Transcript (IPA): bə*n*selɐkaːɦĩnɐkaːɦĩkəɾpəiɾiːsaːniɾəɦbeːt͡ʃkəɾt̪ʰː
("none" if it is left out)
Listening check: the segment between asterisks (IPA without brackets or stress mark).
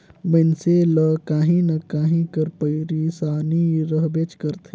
n